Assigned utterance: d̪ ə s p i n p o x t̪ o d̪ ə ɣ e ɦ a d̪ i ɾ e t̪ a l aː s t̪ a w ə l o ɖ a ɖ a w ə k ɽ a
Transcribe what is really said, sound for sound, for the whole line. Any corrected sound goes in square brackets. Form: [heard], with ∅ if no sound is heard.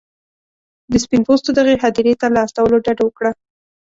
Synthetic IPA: d̪ ə s p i n p o [s] t̪ o d̪ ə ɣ e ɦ a d̪ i ɾ e t̪ a l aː s t̪ a w ə l o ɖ a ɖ a w ə k ɽ a

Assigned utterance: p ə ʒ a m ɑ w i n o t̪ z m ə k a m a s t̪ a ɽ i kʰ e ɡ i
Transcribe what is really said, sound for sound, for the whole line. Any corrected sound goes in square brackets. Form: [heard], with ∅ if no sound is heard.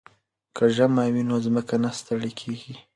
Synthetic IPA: [k] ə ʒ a m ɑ w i n o [∅] z m ə k a [n] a s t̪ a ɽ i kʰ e ɡ i

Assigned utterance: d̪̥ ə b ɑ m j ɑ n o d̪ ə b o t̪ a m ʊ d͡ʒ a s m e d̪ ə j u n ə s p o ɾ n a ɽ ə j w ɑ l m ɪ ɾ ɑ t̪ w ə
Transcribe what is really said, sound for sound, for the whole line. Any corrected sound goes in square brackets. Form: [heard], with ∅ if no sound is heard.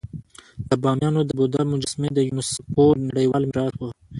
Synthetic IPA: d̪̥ ə b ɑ m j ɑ n o d̪ ə b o [d̪] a m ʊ d͡ʒ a s m e d̪ ə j u n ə s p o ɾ n a ɽ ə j w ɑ l m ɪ ɾ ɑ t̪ w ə

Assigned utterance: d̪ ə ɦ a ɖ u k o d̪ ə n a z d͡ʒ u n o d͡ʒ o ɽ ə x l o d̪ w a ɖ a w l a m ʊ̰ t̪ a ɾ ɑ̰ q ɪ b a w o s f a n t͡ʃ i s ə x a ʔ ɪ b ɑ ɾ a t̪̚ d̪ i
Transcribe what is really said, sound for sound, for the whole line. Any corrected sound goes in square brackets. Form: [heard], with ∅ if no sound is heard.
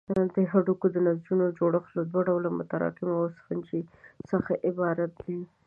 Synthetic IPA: d̪ ə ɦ a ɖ u k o d̪ ə n a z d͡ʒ u n o d͡ʒ o ɽ ə x l o d̪ w a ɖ a w l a m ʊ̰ t̪ a ɾ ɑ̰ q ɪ [m] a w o s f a n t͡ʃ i s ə x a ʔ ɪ b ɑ ɾ a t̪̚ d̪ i

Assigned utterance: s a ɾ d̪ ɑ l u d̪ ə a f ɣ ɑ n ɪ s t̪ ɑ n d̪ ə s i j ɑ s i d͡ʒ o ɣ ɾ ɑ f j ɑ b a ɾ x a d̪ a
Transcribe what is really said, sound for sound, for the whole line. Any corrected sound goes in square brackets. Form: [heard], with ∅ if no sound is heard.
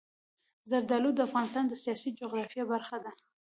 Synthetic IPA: [z] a ɾ d̪ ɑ l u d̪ ə a f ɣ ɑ n ɪ s t̪ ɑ n d̪ ə s i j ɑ s i d͡ʒ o ɣ ɾ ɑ f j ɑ b a ɾ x a d̪ a

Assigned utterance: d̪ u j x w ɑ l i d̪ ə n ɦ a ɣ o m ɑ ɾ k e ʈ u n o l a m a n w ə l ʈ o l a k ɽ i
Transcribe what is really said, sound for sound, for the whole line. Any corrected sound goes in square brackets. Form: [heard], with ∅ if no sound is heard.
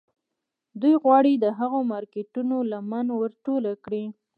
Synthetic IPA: d̪ u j [ɣ] w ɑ [ɽ] i d̪ ə [∅] ɦ a ɣ o m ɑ ɾ k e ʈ u n o l a m a n w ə [ɾ] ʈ o l a k ɽ i

